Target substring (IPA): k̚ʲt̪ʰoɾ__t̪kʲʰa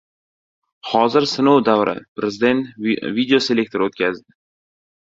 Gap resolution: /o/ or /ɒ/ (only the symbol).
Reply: o